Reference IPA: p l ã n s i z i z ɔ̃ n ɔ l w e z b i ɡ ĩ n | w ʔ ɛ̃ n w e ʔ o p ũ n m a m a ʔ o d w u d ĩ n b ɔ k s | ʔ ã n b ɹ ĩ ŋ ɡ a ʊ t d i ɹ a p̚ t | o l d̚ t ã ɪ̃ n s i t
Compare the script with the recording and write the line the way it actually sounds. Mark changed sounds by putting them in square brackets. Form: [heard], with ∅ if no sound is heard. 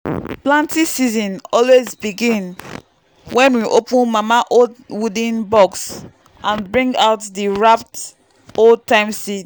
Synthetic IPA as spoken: p l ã n [t] i [s] i z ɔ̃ n ɔ l w e z b i ɡ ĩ n | w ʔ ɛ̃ n w [i] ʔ o p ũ n m a m a ʔ o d w u d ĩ n b ɔ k s | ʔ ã n b ɹ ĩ ŋ ɡ a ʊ t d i ɹ a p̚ t | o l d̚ t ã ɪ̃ [m] s i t

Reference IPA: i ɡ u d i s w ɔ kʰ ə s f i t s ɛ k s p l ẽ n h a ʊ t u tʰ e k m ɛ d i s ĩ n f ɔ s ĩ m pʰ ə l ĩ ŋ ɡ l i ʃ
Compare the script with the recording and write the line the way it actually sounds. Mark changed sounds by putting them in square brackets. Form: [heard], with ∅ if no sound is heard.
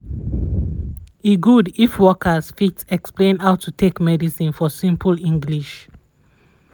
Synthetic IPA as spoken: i ɡ u d i [f] w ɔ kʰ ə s f i t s ɛ k s p l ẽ n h a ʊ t u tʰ e k m ɛ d i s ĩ n f ɔ s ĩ m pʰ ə l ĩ ŋ ɡ l i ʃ

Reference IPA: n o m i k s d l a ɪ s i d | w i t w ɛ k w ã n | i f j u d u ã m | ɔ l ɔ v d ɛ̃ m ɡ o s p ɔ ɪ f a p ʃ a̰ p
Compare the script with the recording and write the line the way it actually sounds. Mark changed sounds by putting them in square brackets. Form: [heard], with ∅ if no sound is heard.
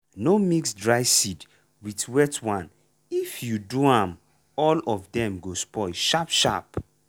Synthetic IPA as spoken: n o m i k s d [ɹ] a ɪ s i d | w i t w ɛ [t] w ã n | i f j u d u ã m | ɔ l ɔ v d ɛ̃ m ɡ o s p ɔ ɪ [ʃ] a p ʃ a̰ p

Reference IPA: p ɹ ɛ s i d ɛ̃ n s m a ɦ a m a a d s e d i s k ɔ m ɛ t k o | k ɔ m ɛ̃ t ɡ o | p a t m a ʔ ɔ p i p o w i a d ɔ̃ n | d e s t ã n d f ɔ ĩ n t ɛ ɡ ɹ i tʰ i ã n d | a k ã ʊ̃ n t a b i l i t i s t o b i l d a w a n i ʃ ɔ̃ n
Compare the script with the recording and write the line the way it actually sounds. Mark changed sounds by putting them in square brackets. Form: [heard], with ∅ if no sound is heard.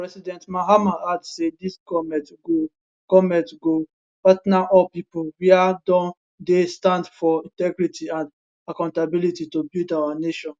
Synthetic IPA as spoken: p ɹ ɛ s i d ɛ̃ n [t] m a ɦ a m a a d s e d i s k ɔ m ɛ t [ɡ] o | k ɔ m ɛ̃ t ɡ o | p a t [n] a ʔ ɔ p i p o w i a d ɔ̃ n | d e s t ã n d f ɔ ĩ n t ɛ ɡ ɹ i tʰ i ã n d | a k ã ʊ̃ n t a b i l i t i [∅] t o b i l d a w a n [e] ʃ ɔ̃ n

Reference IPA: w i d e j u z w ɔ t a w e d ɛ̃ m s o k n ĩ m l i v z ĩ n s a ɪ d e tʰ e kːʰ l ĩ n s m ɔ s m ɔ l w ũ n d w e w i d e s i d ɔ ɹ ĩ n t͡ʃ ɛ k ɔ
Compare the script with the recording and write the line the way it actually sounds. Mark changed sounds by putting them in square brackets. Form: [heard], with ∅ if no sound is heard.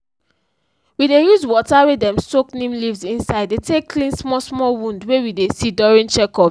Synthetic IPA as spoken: w i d e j u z w ɔ t a w e d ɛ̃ m s o k n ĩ m l i v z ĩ n s a ɪ d e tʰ e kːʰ l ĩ n s m ɔ s m ɔ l w ũ n d w e w i d e s i d ɔ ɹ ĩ n t͡ʃ ɛ k ɔ

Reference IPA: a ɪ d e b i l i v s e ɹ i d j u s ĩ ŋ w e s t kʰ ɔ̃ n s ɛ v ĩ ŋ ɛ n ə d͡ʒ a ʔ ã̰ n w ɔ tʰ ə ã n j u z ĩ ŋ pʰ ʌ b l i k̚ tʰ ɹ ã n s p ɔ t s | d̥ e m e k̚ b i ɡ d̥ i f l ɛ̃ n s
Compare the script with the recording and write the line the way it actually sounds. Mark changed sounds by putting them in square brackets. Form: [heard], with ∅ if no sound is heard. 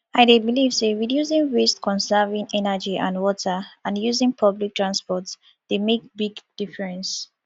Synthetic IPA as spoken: a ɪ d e b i l i v s e ɹ i d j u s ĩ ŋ w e s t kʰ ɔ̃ n s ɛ v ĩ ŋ ɛ n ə d͡ʒ [i] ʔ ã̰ n w ɔ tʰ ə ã n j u z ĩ ŋ pʰ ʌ b l i k̚ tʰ ɹ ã n s p ɔ t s | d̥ e m e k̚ b i ɡ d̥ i f [ɹ] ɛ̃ n s

